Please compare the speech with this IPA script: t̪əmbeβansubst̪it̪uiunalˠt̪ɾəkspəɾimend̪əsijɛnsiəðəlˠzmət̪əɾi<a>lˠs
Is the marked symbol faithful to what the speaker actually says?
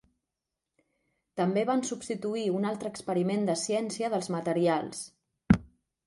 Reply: yes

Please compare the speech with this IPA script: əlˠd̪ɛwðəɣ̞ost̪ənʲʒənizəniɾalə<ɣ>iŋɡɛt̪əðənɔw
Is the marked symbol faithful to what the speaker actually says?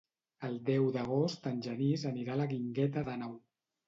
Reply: yes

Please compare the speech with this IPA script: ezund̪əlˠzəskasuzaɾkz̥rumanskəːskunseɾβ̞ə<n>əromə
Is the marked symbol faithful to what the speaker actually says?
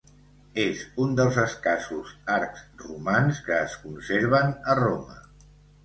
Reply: yes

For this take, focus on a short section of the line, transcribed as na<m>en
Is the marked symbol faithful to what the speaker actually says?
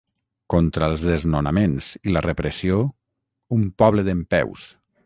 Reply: yes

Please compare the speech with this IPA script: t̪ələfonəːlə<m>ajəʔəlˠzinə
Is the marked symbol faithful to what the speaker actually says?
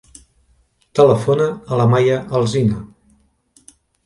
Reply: yes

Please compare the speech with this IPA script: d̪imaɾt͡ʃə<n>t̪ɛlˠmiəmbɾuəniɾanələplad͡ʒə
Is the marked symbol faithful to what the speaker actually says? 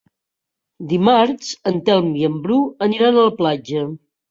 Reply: yes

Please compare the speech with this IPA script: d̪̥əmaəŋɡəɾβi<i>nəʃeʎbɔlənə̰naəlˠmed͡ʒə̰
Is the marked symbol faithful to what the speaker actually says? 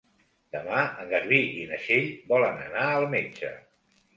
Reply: yes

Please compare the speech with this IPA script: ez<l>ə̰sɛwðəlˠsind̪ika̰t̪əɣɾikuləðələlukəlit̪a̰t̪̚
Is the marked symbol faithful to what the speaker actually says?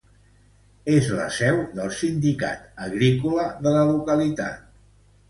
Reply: yes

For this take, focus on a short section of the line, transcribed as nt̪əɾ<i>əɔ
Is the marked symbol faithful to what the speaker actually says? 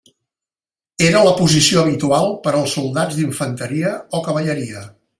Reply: yes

